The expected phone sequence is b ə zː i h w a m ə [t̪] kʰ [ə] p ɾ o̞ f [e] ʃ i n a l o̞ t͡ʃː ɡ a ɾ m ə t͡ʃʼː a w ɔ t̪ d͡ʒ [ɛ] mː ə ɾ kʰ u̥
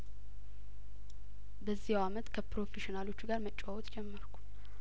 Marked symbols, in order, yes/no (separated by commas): yes, yes, yes, yes